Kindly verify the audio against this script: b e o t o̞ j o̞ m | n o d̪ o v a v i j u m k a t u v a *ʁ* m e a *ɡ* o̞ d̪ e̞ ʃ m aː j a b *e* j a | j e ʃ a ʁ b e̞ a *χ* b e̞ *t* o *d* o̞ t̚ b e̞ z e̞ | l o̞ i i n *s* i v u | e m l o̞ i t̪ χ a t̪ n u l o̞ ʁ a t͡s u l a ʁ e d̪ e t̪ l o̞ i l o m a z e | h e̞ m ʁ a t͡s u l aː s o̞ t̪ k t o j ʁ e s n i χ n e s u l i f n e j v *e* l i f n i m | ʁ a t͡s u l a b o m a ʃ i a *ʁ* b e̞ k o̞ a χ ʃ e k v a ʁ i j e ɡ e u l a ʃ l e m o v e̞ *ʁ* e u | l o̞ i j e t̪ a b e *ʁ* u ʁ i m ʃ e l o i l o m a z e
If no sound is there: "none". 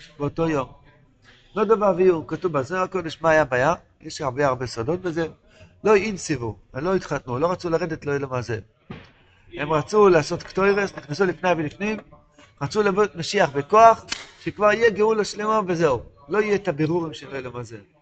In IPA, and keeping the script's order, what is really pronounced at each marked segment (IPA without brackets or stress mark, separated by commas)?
z, k, a, ʁ, s, d, s, e, χ, z, ʁ